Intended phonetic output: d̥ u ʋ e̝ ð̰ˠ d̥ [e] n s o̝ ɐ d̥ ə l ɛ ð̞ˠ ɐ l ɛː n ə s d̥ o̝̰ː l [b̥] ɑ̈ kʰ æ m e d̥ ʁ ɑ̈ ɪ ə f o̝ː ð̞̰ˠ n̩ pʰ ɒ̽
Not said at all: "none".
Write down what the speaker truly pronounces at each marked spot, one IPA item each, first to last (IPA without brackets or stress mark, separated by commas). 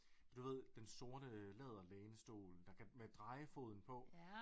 e, d̥